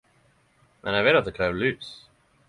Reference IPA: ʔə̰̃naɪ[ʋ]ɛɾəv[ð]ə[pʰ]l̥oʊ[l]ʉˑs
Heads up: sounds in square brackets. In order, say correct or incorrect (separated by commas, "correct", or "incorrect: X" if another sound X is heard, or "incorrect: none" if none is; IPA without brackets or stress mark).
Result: incorrect: v, correct, incorrect: kʰ, correct